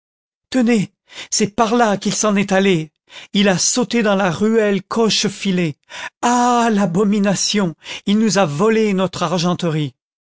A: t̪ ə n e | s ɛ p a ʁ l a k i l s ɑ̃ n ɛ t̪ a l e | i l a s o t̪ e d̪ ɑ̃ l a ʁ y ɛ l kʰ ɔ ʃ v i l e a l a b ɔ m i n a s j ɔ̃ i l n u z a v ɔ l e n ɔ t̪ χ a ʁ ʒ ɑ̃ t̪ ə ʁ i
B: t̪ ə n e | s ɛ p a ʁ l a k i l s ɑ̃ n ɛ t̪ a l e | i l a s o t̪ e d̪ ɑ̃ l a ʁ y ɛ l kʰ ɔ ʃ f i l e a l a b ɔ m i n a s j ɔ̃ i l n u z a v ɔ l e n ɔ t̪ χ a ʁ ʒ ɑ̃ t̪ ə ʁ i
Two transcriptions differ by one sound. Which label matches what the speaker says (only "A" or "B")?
B